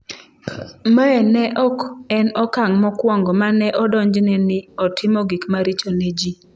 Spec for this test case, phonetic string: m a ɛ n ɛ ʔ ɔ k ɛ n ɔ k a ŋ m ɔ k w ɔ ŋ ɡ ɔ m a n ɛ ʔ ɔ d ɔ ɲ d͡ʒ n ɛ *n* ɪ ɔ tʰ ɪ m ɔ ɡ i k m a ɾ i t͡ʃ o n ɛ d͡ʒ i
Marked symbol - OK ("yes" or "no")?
yes